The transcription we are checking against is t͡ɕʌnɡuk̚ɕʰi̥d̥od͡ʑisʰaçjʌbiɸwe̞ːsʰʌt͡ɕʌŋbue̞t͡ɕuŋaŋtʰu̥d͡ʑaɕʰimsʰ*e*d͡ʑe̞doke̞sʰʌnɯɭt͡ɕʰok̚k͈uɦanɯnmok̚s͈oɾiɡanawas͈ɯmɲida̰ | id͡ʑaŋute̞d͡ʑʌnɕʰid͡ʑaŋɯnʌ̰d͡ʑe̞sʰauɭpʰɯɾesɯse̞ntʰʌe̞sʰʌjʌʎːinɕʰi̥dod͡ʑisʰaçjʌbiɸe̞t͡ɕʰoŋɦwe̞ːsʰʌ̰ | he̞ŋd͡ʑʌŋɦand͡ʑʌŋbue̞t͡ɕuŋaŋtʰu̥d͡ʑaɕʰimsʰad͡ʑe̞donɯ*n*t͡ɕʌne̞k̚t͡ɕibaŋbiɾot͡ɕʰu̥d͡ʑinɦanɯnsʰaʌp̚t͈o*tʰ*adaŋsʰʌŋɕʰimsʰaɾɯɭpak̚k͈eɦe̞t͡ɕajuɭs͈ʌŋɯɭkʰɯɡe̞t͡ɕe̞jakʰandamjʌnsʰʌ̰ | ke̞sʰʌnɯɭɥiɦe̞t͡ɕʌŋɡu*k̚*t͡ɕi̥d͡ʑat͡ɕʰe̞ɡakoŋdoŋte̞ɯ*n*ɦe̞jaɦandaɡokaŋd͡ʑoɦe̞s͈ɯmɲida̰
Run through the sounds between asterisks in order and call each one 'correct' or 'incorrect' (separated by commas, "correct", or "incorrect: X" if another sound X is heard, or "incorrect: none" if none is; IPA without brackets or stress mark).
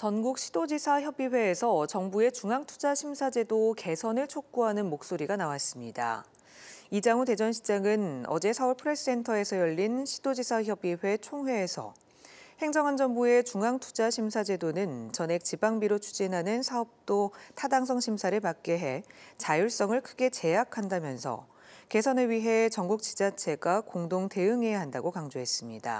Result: incorrect: a, correct, correct, correct, incorrect: ŋ